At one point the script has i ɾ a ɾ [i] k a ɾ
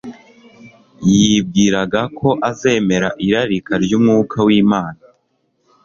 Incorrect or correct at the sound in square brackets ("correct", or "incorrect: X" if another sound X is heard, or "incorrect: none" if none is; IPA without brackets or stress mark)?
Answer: correct